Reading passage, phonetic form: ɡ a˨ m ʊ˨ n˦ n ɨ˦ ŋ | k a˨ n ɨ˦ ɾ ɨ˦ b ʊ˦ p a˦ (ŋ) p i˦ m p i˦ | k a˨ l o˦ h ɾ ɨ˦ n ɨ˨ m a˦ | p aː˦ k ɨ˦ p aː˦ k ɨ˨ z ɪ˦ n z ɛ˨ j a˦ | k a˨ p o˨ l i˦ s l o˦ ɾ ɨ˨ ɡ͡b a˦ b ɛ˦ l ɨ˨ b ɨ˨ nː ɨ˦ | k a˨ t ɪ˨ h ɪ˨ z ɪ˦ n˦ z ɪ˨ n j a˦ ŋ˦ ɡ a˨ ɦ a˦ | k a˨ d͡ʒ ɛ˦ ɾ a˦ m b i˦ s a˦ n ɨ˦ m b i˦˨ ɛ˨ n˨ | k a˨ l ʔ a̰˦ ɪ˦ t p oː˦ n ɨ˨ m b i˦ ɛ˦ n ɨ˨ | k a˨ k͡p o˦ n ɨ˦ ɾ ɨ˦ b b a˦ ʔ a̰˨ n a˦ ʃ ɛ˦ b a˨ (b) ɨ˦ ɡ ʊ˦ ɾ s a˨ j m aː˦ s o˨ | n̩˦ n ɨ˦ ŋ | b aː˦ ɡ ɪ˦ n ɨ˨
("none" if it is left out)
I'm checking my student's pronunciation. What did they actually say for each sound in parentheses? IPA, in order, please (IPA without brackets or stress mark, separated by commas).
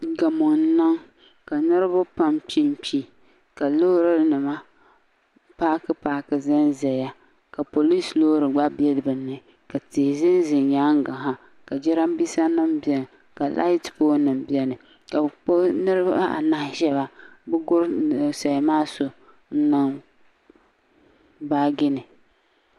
m, b